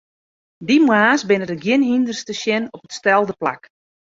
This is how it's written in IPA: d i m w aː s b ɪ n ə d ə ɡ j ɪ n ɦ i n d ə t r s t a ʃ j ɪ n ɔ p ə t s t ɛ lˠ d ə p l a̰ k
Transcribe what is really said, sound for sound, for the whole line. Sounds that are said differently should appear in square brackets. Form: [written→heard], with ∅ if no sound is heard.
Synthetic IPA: d i m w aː s b ɪ n ə d ə ɡ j ɪ n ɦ i n d ə [t→∅] r s t [a→ə] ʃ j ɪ n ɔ p ə t s t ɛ lˠ d ə p l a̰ k